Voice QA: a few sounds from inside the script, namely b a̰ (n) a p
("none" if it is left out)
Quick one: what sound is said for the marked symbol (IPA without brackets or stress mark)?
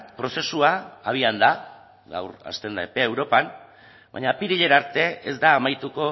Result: ɲ